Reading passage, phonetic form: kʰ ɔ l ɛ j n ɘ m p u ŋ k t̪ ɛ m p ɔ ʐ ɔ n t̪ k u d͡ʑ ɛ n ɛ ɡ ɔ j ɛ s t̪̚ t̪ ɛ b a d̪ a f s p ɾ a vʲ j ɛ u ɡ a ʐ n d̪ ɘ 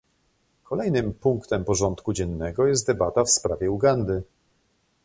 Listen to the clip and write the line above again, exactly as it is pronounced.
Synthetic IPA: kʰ ɔ l ɛ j n ɘ m p u ŋ k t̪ ɛ m p ɔ ʐ ɔ n t̪ k u d͡ʑ ɛ nː ɛ ɡ ɔ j ɛ s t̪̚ d̪ ɛ b a t̪ a f s p ɾ a vʲ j ɛ u ɡ a n d̪ ɘ